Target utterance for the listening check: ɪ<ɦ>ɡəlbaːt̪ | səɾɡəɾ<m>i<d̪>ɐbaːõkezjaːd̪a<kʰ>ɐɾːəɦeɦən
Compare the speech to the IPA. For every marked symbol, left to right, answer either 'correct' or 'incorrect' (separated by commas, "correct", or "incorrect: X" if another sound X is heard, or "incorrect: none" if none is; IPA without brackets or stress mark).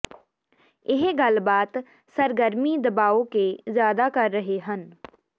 correct, correct, correct, incorrect: k